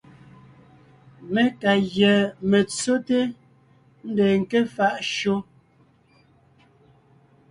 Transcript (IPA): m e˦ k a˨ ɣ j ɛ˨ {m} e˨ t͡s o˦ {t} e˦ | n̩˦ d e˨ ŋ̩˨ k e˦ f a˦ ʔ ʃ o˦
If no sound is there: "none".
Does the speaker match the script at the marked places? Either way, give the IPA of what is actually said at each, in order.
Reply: m, t

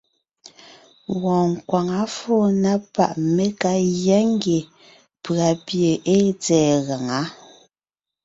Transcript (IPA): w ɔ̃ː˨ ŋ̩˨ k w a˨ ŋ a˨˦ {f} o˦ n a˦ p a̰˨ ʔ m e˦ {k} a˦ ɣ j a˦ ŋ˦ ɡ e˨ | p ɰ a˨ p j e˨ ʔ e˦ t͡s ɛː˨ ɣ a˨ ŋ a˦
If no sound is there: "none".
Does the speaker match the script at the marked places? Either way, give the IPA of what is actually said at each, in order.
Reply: f, k

